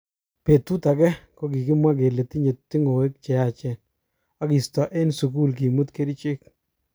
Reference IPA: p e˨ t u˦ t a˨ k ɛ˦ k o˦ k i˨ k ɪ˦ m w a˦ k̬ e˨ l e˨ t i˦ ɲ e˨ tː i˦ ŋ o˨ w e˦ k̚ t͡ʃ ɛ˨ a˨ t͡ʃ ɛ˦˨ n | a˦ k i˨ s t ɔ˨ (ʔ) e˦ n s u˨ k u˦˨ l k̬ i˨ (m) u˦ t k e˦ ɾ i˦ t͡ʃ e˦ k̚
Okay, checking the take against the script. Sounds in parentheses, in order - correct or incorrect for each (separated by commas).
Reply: correct, correct